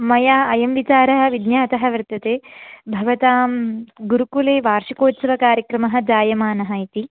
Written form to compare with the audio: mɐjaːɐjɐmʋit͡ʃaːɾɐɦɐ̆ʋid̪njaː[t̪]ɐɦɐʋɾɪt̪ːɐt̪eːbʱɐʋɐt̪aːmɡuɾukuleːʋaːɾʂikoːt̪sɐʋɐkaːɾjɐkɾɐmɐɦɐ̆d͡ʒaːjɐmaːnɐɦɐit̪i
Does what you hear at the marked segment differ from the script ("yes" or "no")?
no